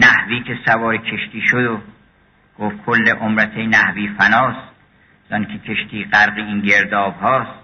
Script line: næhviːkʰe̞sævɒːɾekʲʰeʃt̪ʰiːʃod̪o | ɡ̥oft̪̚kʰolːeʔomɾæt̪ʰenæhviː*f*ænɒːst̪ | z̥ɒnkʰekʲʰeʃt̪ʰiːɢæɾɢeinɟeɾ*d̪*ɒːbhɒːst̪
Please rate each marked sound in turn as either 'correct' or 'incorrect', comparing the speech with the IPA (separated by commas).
correct, correct